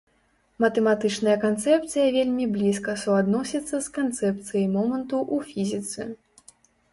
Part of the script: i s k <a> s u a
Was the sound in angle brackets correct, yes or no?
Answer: no